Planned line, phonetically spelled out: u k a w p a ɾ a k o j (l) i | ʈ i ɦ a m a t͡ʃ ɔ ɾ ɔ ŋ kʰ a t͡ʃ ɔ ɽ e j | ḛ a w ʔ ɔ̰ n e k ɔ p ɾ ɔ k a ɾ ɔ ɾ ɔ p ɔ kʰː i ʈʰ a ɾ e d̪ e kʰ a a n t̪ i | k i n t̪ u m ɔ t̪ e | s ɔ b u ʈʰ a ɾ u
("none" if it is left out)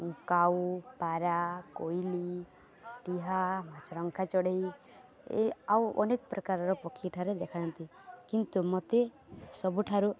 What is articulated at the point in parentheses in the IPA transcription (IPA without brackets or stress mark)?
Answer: l